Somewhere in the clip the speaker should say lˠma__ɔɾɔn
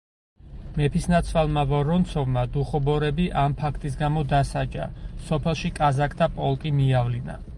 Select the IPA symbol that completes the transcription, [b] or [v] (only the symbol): v